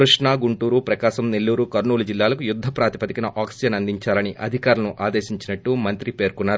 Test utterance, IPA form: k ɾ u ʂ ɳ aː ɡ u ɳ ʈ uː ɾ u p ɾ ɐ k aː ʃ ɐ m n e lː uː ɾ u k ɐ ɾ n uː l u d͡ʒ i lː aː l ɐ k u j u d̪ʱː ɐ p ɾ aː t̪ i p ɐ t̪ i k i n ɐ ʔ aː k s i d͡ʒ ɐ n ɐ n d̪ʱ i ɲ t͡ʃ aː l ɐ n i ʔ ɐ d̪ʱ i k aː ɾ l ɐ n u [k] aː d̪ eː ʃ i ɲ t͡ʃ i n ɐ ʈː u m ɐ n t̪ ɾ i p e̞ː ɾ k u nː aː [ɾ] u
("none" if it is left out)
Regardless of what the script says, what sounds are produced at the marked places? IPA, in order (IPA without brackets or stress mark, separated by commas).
ʔ, ɾ